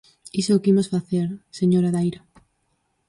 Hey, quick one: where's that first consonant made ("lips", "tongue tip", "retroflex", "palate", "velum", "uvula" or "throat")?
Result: tongue tip